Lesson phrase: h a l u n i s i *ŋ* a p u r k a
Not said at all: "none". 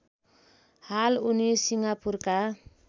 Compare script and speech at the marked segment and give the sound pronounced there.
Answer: ŋ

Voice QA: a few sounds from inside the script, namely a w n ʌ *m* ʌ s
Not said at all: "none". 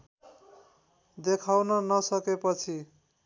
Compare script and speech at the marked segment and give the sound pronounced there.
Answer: n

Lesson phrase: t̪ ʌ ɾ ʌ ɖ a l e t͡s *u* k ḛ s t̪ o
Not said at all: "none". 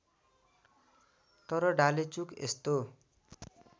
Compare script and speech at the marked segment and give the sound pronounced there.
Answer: u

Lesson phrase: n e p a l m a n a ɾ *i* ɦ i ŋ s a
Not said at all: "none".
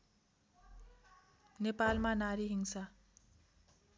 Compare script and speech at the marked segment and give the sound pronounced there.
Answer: i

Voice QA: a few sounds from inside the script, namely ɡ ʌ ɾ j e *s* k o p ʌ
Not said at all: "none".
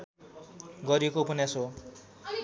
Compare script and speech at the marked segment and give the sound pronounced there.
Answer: none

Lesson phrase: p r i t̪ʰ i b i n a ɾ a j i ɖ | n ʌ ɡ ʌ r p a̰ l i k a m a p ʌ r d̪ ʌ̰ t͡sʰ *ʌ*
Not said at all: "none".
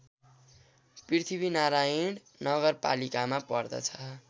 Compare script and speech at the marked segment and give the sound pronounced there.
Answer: ʌ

